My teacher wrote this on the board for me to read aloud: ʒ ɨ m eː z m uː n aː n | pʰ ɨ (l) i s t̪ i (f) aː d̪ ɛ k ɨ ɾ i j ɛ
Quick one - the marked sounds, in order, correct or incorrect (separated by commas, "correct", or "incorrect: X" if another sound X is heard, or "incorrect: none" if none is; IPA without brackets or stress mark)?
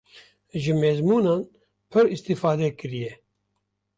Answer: incorrect: ɾ, correct